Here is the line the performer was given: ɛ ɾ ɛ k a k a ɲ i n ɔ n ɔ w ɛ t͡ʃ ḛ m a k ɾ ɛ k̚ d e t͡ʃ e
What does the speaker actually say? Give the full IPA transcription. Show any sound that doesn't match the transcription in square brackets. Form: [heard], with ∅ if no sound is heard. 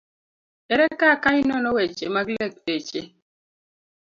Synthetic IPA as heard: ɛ ɾ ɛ k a k a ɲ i n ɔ n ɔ w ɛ t͡ʃ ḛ m a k [l] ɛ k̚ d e t͡ʃ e